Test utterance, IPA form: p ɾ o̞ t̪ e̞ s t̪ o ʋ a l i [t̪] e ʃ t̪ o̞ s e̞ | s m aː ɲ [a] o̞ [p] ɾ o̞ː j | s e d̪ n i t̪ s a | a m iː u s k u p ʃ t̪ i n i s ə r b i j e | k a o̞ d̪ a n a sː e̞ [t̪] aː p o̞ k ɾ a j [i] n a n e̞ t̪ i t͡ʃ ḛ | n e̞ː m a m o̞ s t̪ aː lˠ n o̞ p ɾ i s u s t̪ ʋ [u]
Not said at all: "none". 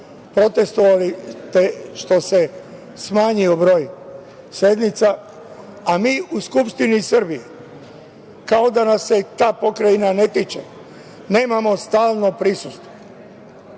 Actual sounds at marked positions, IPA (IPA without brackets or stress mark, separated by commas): t̪, i, b, t̪, i, o